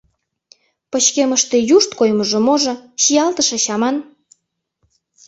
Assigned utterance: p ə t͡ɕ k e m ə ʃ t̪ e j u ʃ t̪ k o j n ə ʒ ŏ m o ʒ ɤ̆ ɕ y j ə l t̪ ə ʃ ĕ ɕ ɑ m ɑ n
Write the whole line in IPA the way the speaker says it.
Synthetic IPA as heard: p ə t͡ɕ k e m ə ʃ t̪ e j u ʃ t̪ k o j m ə ʒ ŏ m o ʒ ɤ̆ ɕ i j ɑ l t̪ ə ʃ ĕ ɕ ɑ m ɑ n